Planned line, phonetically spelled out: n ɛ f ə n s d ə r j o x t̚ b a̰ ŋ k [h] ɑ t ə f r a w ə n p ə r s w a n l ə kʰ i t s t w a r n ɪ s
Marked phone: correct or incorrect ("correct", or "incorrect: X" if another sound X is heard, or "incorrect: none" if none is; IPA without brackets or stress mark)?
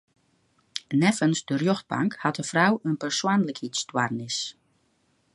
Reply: correct